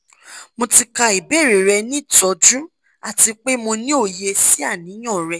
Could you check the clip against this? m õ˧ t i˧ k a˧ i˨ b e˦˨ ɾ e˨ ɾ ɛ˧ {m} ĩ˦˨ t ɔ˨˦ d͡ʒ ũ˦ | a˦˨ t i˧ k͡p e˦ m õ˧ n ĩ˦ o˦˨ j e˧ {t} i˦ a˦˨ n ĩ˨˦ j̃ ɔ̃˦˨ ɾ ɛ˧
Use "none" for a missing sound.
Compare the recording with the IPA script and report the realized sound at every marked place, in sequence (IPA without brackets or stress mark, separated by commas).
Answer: n, s